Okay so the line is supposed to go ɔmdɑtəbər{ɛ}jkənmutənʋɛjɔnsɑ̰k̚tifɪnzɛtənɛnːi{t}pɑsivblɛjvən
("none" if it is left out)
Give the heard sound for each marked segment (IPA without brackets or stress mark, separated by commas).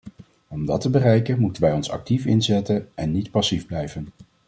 ɛ, t